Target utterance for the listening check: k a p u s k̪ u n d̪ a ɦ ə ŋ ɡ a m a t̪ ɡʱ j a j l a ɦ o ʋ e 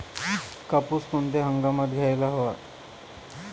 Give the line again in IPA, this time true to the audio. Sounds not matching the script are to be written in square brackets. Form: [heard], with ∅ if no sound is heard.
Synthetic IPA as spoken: k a p u s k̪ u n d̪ [e] ɦ ə ŋ ɡ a m a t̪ ɡʱ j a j l a ɦ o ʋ [a]

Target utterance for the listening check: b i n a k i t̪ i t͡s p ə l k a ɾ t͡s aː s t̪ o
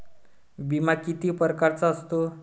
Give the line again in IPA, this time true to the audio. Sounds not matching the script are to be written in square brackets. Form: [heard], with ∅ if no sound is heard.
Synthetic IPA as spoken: b i [m] a k i t̪ i [∅] p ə [ɾ] k a ɾ t͡s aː s t̪ o

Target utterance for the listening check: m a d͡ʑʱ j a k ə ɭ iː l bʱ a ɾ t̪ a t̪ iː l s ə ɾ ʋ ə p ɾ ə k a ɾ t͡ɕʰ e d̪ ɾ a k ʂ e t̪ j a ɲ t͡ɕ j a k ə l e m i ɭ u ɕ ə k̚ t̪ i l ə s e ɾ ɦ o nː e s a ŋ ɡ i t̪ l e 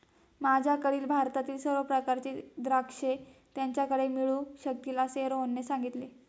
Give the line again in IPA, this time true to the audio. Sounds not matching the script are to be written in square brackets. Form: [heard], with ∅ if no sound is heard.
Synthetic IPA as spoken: m a d͡ʑʱ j a k ə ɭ iː l bʱ a ɾ t̪ a t̪ iː l s ə ɾ ʋ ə p ɾ ə k a ɾ [t͡ɕ] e d̪ ɾ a k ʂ e t̪ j a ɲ t͡ɕ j a k ə [ɽ] e m i ɭ u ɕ ə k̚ t̪ i l [a] s e ɾ ɦ o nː e s a ŋ ɡ i t̪ l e

